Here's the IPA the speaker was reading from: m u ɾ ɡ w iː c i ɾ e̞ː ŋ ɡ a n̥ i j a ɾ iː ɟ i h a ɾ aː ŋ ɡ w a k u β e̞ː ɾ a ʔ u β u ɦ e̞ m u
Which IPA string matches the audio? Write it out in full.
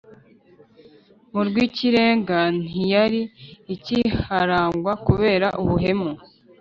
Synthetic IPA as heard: m u ɾ ɡ w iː c i ɾ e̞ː ŋ ɡ a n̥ i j a ɾ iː c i h a ɾ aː ŋ ɡ w a k u β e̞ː ɾ a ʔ u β u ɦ e̞ m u